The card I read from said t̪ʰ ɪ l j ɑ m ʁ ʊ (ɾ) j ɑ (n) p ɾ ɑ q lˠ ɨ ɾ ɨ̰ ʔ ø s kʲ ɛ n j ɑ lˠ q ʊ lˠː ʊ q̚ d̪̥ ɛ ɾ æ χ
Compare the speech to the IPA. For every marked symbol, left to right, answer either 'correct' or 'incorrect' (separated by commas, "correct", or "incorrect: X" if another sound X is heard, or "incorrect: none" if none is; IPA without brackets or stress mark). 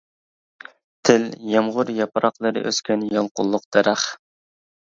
correct, incorrect: none